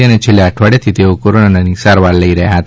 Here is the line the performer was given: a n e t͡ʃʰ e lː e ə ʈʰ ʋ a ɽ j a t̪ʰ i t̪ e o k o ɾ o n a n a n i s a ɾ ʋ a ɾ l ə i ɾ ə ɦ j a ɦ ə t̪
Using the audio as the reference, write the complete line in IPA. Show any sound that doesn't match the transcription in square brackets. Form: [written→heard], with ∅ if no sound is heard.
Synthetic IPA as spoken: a n e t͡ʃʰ e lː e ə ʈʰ ʋ a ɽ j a t̪ʰ i t̪ e o k o ɾ o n a n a n i s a ɾ ʋ a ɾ l ə i ɾ ə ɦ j a ɦ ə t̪